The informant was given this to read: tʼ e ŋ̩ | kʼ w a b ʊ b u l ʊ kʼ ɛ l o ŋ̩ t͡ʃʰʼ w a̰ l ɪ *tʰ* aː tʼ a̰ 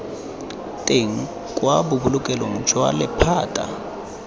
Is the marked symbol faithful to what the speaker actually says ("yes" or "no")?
no